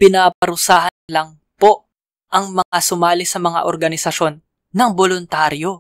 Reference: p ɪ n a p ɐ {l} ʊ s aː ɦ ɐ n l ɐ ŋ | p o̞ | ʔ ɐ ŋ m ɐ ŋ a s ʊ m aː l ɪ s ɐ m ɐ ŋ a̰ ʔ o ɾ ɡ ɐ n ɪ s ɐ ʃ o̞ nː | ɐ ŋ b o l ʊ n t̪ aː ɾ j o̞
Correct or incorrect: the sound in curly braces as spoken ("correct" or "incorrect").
incorrect